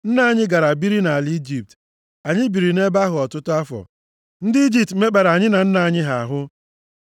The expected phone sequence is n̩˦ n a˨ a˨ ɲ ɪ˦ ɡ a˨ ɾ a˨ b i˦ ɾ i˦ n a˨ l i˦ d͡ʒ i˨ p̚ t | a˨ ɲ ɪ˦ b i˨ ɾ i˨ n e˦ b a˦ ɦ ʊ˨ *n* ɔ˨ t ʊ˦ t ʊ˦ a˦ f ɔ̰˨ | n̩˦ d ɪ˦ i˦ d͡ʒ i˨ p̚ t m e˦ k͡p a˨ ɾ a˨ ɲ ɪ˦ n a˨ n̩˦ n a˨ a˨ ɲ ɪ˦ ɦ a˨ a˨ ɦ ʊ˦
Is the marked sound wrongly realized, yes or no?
yes